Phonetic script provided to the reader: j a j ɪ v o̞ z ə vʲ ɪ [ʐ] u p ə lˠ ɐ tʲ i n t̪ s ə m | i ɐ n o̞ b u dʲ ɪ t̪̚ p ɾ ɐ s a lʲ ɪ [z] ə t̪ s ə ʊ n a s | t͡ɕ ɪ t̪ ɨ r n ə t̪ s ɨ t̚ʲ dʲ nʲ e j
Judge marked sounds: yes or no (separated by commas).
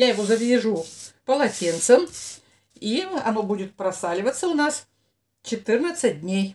yes, no